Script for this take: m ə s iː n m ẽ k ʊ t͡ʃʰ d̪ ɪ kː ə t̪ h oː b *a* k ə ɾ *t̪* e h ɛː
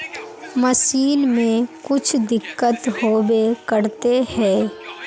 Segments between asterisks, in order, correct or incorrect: incorrect, correct

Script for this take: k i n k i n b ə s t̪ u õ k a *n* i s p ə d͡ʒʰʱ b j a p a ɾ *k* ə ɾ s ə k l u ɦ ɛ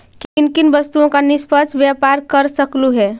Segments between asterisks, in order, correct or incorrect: correct, correct

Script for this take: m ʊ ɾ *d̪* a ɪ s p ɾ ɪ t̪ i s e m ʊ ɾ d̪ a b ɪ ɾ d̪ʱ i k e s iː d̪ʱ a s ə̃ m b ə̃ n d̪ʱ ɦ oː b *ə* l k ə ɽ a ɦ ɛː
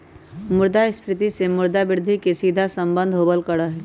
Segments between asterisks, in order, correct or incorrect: correct, correct

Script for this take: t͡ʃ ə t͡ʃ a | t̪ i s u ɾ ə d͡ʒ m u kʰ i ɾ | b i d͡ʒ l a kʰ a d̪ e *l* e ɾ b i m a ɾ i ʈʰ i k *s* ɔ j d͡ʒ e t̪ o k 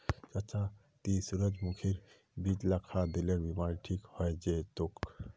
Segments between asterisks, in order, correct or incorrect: correct, incorrect

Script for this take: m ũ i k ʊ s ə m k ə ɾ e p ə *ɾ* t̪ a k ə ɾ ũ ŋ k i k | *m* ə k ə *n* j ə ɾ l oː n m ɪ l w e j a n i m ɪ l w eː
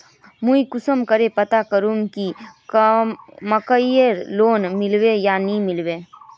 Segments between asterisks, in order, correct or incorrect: incorrect, correct, incorrect

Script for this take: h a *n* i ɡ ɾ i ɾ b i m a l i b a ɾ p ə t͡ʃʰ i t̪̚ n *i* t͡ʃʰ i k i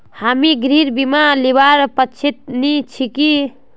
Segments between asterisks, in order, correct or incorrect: incorrect, correct

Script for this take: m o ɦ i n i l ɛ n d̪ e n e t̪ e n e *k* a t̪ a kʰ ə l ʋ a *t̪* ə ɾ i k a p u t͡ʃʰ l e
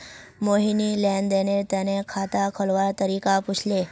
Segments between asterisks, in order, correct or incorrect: incorrect, correct

